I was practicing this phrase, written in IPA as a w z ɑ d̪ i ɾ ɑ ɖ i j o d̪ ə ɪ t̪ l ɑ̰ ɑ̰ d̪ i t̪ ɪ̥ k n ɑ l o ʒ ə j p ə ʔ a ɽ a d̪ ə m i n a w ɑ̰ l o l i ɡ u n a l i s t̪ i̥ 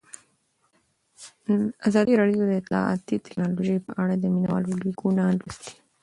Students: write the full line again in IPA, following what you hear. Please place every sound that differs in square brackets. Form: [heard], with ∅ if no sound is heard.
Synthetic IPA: a [∅] z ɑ d̪ i ɾ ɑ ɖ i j o d̪ ə ɪ t̪ l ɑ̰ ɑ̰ [t̪] i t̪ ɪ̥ k n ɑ l o ʒ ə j p ə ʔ a ɽ a d̪ ə m i n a w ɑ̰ l o l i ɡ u n a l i s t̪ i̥